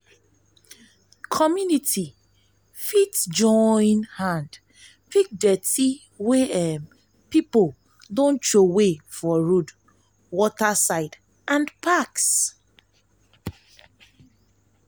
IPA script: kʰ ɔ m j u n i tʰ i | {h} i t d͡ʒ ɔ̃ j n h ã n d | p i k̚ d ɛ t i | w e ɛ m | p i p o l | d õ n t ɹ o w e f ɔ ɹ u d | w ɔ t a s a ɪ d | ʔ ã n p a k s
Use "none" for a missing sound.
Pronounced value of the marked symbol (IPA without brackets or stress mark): f